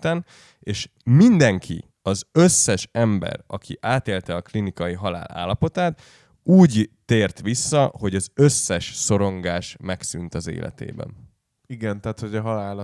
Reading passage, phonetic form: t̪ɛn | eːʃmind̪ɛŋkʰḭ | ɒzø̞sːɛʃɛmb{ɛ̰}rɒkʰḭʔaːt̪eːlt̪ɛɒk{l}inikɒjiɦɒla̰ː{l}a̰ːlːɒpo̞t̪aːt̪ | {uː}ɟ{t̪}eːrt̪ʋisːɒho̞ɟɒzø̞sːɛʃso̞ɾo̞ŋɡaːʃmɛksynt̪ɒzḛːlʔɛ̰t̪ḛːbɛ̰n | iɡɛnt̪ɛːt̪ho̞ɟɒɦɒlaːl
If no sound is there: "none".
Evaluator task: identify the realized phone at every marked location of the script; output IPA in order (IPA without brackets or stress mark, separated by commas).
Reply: ɛ̰, l, l, uː, t̪